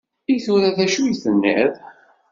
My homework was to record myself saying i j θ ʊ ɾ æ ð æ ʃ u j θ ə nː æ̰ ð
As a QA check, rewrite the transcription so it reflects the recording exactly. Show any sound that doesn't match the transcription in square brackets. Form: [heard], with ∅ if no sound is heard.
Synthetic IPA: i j θ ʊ ɾ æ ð æ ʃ u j θ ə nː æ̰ ð